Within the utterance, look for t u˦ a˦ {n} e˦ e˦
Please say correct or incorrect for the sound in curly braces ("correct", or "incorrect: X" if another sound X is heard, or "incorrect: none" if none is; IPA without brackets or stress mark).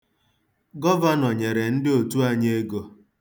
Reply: incorrect: ɲ